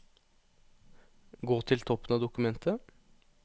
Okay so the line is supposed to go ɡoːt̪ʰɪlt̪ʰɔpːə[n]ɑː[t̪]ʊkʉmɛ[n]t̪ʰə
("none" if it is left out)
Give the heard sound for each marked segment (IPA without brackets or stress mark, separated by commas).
n, d̪, n